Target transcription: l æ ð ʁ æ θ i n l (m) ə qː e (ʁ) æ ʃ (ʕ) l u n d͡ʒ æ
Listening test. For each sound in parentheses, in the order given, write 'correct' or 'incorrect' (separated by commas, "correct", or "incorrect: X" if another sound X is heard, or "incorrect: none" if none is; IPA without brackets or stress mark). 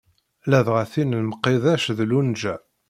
correct, incorrect: ð, incorrect: ð